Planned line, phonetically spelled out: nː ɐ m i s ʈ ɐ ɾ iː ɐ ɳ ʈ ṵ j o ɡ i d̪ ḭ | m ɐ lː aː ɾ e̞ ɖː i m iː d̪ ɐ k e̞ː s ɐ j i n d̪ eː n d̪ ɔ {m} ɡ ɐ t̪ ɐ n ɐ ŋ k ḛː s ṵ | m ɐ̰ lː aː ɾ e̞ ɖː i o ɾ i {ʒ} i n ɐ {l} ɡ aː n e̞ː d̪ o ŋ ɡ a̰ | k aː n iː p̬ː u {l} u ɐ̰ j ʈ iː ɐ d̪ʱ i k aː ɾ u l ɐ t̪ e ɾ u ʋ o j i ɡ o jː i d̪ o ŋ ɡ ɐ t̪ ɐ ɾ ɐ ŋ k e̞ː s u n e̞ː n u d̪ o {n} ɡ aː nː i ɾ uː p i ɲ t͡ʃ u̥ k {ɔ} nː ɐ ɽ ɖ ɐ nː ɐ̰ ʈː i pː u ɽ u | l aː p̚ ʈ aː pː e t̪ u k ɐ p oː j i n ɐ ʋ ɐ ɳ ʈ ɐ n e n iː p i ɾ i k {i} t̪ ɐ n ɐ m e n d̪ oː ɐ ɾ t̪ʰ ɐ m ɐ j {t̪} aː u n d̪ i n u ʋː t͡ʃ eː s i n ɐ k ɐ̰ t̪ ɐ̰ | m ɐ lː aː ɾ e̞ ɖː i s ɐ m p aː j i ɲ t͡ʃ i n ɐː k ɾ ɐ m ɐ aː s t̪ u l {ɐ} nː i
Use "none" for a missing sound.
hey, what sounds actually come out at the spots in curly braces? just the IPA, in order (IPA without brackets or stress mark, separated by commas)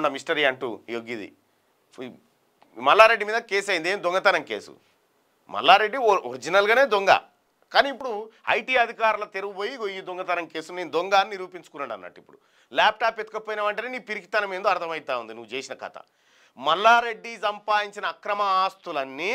ŋ, d͡ʒ, l, ɽ, ŋ, u, i, t̪, ɐ